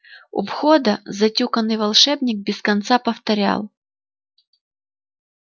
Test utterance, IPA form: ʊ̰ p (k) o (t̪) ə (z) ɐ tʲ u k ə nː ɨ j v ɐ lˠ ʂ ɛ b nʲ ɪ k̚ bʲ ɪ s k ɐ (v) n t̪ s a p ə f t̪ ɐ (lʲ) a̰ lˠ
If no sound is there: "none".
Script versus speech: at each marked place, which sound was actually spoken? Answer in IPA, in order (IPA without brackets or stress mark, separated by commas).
x, d̪, z, none, ɾʲ